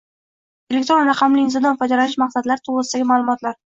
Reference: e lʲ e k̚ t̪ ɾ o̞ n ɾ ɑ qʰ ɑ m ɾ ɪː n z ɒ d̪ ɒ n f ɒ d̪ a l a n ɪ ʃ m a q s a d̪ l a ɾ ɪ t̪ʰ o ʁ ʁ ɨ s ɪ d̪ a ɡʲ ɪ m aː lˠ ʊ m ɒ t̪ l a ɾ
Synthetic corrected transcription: e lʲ e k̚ t̪ ɾ o̞ n ɾ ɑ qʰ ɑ m l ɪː n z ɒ d̪ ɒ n f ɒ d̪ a l a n ɪ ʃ m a q s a d̪ l a ɾ ɪ t̪ʰ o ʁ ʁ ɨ s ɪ d̪ a ɡʲ ɪ m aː lˠ ʊ m ɒ t̪ l a ɾ